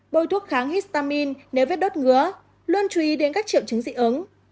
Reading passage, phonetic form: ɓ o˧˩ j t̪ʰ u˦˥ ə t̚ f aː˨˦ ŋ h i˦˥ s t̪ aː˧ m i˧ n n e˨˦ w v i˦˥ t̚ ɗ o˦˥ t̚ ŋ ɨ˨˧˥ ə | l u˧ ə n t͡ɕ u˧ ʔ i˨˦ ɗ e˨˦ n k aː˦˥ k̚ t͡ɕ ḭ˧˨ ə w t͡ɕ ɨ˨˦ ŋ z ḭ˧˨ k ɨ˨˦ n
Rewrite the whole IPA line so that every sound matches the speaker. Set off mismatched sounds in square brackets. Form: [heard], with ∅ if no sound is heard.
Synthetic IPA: ɓ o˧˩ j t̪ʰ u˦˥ ə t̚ [x] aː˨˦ ŋ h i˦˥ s t̪ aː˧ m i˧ n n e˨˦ w v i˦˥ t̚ ɗ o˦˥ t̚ ŋ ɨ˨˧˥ ə | l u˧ ə n t͡ɕ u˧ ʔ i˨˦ ɗ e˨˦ n k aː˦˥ k̚ t͡ɕ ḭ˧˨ ə w t͡ɕ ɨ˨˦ ŋ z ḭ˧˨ [ʔ] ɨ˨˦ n